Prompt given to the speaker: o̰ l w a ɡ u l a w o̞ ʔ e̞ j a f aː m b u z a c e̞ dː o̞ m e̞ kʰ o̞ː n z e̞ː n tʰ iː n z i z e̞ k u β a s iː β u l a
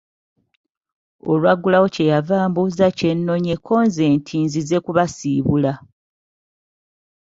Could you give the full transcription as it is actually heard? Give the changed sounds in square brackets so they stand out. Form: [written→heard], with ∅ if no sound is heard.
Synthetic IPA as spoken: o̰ l w a ɡ u l a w o̞ [ʔ→c] e̞ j a [f→v] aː m b u z a c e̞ [dː→nː] o̞ [m→ɲ] e̞ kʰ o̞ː n z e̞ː n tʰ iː n z i z e̞ k u β a s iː β u l a